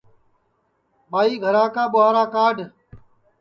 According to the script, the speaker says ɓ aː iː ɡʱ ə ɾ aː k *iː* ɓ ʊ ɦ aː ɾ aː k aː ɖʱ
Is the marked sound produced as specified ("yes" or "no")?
no